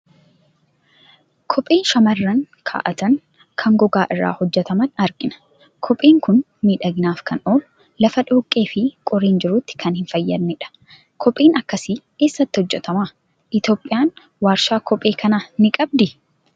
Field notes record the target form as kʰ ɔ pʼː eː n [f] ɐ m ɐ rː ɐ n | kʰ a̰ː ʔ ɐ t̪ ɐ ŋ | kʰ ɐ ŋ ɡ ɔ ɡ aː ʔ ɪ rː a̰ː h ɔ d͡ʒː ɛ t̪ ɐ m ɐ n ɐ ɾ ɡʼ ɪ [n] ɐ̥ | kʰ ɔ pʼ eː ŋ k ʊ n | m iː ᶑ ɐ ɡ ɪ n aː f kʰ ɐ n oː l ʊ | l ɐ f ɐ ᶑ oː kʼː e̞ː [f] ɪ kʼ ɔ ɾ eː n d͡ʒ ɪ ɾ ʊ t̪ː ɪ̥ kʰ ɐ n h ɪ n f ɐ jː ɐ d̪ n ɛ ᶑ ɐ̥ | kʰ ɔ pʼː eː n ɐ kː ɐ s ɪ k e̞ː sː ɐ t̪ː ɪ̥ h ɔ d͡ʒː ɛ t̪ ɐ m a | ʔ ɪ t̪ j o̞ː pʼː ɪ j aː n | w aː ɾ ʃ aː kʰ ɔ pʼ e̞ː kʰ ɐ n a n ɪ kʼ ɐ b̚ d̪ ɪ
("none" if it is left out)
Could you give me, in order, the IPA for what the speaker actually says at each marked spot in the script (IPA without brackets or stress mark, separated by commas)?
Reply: ʃ, n, f